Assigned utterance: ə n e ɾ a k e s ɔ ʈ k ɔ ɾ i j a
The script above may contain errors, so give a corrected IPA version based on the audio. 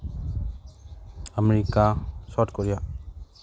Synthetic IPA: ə m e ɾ i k a s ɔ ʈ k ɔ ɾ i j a